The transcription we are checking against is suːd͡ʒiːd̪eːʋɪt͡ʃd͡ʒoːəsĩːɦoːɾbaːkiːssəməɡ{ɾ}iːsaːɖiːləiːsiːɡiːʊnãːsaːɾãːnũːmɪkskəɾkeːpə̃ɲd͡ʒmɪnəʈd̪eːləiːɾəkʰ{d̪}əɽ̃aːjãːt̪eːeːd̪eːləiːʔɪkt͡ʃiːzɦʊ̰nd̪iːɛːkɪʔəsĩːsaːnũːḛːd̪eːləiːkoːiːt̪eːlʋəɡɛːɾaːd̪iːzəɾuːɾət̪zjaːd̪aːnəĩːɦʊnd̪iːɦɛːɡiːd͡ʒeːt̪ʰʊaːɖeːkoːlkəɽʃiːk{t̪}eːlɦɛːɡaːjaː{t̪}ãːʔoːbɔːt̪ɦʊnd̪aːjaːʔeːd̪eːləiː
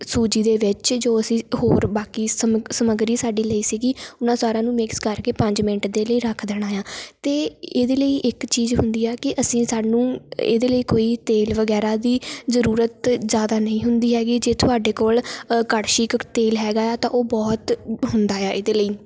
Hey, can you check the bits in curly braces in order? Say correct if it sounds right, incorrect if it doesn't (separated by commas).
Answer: correct, correct, correct, correct